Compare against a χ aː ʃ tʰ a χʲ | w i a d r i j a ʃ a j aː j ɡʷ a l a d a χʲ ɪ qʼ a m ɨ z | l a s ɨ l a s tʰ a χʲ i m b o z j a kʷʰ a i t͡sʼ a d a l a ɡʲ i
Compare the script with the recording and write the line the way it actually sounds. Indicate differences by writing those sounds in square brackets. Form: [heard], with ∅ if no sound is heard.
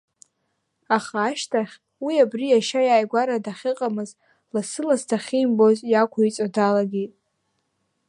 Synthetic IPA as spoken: a χ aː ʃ tʰ a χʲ | w i a [b] r i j a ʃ a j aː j ɡʷ a [ɾ] a d a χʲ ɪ qʼ a m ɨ z | l a s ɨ l a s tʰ a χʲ i m b o z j a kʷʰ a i t͡sʼ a d a l a ɡʲ i